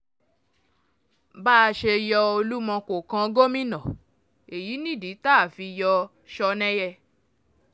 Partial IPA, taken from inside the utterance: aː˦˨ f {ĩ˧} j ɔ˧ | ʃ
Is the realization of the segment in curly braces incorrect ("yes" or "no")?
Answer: yes